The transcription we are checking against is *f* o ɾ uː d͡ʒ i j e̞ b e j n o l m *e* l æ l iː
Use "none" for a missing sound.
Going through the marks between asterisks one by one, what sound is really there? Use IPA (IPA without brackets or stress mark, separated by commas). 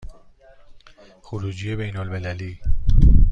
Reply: x, e